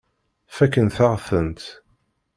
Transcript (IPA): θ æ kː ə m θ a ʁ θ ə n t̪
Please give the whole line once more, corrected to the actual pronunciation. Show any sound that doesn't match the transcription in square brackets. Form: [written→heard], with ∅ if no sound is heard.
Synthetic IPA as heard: [θ→f] æ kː ə [m→n] θ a ʁ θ ə n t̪